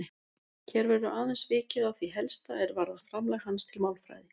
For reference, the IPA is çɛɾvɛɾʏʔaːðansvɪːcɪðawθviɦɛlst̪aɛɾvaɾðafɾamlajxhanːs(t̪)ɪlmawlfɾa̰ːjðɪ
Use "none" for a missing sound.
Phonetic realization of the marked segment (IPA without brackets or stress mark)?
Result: t̪ʰ